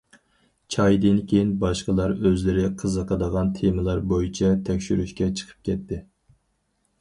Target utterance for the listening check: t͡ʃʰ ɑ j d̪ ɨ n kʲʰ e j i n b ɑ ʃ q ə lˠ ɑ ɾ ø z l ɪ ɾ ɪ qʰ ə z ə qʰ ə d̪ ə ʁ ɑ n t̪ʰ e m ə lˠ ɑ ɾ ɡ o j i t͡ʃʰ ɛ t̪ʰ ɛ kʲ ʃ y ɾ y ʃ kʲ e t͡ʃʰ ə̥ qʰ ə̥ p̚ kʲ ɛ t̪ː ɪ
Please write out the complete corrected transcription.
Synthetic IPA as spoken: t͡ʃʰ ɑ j d̪ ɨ n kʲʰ e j i n b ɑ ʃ q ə lˠ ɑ ɾ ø z l ɪ ɾ ɪ qʰ ə z ə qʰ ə d̪ ə ʁ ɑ n t̪ʰ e m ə lˠ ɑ ɾ b o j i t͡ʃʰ ɛ t̪ʰ ɛ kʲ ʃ y ɾ y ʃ kʲ ɛ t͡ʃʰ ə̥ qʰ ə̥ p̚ kʲ ɛ t̪ː ɪ

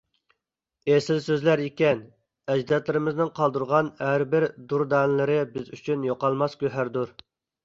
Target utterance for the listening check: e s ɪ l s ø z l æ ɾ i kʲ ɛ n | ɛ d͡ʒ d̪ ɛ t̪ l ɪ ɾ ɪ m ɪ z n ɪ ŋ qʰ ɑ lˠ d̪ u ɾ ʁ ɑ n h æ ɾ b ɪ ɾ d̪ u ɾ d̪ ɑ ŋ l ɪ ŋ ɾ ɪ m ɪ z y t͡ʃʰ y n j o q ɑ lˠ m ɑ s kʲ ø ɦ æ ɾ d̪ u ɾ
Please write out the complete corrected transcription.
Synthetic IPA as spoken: e s ɪ l s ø z l æ ɾ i kʲ ɛ n | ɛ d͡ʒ d̪ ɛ t̪ l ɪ ɾ ɪ m ɪ z n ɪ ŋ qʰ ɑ lˠ d̪ u ɾ ʁ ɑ n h æ ɾ b ɪ ɾ d̪ u ɾ d̪ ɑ n l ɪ ɾ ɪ b ɪ z y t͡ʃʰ y n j o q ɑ lˠ m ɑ s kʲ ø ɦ æ ɾ d̪ u ɾ

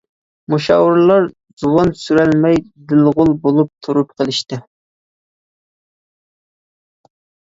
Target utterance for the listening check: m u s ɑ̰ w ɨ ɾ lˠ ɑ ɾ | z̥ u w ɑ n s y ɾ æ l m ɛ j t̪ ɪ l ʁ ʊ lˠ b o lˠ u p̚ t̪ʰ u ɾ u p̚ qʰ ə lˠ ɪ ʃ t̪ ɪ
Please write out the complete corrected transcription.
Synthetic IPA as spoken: m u ʃ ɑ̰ w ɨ ɾ lˠ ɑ ɾ | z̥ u w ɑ n s y ɾ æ l m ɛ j d̪ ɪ l ʁ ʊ lˠ b o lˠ u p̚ t̪ʰ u ɾ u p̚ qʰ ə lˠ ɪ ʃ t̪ ɪ

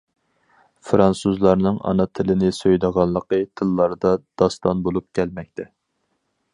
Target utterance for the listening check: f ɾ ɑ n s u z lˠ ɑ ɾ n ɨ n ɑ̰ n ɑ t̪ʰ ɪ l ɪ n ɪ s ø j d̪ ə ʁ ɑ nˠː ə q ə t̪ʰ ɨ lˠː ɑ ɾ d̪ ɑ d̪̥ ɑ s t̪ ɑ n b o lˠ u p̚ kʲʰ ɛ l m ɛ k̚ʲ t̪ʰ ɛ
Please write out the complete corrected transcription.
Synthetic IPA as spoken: f ɾ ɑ n s u z lˠ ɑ ɾ n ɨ ŋ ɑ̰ n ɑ t̪ʰ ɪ l ɪ n ɪ s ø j d̪ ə ʁ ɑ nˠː ə q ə t̪ʰ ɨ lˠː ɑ ɾ d̪ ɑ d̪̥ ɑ s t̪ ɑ n b o lˠ u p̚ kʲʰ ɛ l m ɛ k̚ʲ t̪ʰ ɛ

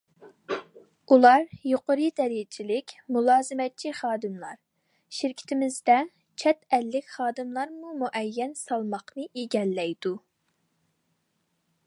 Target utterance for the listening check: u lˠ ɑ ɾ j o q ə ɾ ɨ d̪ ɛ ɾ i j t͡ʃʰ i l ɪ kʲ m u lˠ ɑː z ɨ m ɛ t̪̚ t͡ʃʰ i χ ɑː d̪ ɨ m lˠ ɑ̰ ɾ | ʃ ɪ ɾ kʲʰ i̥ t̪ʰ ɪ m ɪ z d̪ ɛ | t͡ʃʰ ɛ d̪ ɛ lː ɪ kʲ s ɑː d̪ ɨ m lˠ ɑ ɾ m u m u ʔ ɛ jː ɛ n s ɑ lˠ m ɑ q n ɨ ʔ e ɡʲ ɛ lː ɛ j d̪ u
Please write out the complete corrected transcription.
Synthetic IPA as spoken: u lˠ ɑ ɾ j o q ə ɾ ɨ d̪ ɛ ɾ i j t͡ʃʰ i l ɪ kʲ m u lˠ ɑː z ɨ m ɛ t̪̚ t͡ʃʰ i χ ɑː d̪ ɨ m lˠ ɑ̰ ɾ | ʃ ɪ ɾ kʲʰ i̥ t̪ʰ ɪ m ɪ z d̪ ɛ | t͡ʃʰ ɛ t̪ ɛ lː ɪ kʲ χ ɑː d̪ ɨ m lˠ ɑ ɾ m u m u ʔ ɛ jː ɛ n s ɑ lˠ m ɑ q n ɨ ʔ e ɡʲ ɛ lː ɛ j d̪ u

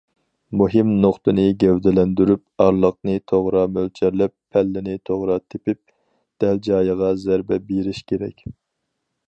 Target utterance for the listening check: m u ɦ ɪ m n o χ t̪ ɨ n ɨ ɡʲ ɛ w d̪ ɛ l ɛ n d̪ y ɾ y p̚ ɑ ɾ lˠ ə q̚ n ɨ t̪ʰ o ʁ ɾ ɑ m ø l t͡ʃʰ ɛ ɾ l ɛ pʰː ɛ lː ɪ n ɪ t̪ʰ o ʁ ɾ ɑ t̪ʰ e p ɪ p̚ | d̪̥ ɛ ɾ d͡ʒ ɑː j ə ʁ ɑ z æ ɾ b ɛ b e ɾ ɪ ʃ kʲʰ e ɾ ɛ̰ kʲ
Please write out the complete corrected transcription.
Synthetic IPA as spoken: m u ɦ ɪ m n o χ t̪ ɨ n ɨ ɡʲ ɛ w d̪ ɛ l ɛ n d̪ y ɾ y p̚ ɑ ɾ lˠ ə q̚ n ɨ t̪ʰ o ʁ ɾ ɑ m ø l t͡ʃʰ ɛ ɾ l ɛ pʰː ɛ lː ɪ n ɪ t̪ʰ o ʁ ɾ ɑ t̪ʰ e p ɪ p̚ | d̪̥ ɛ l d͡ʒ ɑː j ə ʁ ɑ z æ ɾ b ɛ b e ɾ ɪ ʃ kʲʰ e ɾ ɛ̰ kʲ

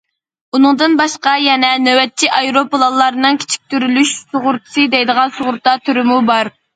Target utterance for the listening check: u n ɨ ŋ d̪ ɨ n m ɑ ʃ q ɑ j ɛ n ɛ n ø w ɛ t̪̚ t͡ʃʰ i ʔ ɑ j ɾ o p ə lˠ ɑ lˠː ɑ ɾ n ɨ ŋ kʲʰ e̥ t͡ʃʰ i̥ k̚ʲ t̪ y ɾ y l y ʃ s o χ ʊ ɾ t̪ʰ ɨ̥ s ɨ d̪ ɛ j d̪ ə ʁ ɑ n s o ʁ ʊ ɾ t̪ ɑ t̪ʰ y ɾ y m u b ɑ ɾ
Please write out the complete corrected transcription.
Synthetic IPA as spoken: u n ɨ ŋ d̪ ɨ n b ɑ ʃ q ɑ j ɛ n ɛ n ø w ɛ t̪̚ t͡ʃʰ i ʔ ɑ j ɾ o p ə lˠ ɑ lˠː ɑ ɾ n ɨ ŋ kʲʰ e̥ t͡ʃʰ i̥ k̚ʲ t̪ y ɾ y l y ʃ s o ʁ ʊ ɾ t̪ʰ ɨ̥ s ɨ d̪ ɛ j d̪ ə ʁ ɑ n s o ʁ ʊ ɾ t̪ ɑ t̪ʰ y ɾ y m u b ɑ ɾ

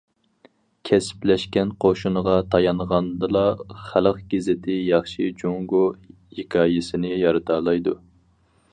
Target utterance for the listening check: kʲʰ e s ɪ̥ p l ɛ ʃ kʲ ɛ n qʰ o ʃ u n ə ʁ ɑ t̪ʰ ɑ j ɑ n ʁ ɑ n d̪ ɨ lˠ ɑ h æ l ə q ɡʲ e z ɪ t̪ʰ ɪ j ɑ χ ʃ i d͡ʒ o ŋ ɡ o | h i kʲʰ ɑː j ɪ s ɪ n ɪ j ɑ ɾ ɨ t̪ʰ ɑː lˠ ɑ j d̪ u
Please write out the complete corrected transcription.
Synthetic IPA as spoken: kʲʰ ɛ s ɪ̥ p l ɛ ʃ kʲ ɛ n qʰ o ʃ u n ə ʁ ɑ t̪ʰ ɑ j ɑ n ʁ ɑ n d̪ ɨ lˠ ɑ χ æ l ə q ɡʲ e z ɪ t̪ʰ ɪ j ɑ χ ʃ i d͡ʒ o ŋ ɡ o | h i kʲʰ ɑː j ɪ s ɪ n ɪ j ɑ ɾ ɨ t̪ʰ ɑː lˠ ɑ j d̪ u

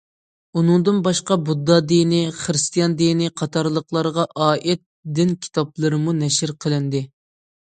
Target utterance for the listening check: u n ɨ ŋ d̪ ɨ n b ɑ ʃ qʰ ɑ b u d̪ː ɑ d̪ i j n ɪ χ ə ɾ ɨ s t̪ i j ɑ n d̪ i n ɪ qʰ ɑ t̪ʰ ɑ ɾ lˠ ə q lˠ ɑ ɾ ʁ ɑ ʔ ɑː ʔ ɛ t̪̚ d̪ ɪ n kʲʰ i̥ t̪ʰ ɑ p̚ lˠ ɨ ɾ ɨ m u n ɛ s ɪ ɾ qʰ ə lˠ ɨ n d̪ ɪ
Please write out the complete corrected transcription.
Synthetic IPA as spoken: u n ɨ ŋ d̪ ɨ n b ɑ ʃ q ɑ b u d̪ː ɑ d̪ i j n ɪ χ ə ɾ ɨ s t̪ i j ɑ n d̪ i n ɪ qʰ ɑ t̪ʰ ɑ ɾ lˠ ə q lˠ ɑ ɾ ʁ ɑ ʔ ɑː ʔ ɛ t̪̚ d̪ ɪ n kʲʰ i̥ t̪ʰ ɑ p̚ lˠ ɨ ɾ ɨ m u n ɛ ʃ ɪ ɾ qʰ ə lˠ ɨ n d̪ ɪ

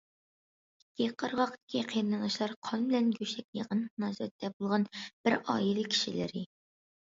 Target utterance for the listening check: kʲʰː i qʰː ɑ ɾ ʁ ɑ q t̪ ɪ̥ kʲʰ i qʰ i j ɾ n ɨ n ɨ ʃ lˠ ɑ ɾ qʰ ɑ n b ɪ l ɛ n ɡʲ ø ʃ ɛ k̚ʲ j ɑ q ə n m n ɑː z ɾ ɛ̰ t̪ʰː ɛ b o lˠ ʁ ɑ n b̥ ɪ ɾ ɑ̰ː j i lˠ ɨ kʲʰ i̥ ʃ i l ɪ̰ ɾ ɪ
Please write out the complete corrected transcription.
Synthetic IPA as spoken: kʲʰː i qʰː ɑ ɾ ʁ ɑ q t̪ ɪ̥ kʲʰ i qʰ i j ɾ n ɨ n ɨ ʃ lˠ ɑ ɾ qʰ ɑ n b ɪ l ɛ n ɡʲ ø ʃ ɛ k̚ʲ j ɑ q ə n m n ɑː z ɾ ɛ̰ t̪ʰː ɛ b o lˠ ʁ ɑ n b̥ ɪ ɾ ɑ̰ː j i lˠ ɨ kʲʰ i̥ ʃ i l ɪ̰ ɾ ɪ

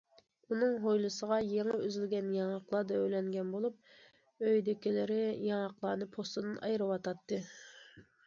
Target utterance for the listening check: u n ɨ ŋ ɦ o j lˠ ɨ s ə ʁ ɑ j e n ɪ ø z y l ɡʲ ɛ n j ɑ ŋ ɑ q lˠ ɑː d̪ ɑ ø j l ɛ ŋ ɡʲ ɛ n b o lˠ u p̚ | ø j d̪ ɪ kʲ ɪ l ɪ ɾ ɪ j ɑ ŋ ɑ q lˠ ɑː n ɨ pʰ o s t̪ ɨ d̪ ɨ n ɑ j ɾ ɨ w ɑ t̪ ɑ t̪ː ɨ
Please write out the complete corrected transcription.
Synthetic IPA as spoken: u n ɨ ŋ ɦ o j lˠ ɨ s ə ʁ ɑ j e ŋ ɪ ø z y l ɡʲ ɛ n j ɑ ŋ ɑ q lˠ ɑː d̪ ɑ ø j l ɛ ŋ ɡʲ ɛ n b o lˠ u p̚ | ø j d̪ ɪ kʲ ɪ l ɪ ɾ ɪ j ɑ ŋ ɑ q lˠ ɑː n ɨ pʰ o s t̪ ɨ d̪ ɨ n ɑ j ɾ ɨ w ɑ t̪ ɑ t̪ː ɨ

